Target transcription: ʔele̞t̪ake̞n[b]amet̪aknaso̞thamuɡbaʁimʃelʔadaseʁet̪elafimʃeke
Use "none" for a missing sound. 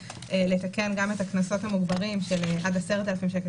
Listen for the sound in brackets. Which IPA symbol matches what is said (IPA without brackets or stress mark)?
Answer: ɡ